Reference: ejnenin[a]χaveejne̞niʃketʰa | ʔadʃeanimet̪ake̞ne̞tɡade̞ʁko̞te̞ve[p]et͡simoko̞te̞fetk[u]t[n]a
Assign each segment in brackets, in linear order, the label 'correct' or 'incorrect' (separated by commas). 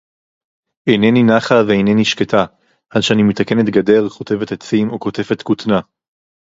correct, incorrect, correct, correct